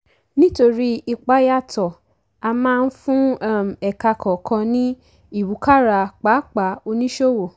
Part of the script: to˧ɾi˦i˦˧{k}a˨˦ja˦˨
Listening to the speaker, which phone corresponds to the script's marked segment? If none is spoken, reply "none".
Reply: k͡p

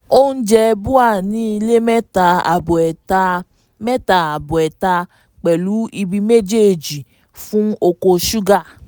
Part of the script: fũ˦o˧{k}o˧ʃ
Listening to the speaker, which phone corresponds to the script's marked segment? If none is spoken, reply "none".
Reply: k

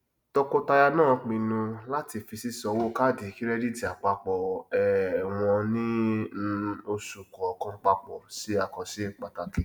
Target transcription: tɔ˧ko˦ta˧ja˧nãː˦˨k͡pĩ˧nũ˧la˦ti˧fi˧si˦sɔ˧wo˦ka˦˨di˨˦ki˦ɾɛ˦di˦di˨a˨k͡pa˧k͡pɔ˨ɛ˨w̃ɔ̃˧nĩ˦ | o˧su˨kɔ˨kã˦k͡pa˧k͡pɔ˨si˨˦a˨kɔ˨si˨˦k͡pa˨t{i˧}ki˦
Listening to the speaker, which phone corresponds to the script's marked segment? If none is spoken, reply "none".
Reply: a˧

